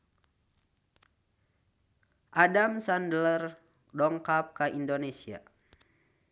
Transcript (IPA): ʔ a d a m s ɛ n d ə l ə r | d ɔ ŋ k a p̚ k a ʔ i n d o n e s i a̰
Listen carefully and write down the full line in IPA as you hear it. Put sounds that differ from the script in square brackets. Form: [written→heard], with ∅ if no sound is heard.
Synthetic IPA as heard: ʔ a d a m s [ɛ→a] n d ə l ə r | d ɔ ŋ k a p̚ k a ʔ i n d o n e s i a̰